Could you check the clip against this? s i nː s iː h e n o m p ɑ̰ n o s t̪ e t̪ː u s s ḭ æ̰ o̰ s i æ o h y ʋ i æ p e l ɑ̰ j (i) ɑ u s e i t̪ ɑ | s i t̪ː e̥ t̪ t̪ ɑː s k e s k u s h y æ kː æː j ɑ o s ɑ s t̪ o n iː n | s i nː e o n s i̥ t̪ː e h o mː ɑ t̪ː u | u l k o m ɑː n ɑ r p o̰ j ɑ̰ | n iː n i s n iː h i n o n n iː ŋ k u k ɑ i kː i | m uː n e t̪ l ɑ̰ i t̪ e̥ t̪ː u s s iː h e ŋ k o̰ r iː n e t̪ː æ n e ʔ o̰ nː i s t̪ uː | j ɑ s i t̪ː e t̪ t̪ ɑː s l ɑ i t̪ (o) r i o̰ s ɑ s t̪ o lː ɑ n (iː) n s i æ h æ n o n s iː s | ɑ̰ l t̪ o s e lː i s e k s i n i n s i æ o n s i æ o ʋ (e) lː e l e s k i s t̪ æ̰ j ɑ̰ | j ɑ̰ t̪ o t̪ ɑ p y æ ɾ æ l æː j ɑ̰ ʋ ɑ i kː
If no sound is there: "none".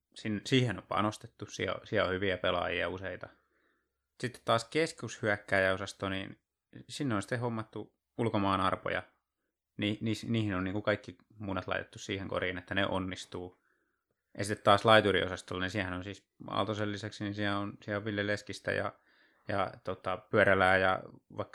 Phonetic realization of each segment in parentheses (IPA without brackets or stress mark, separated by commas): i, u, i, i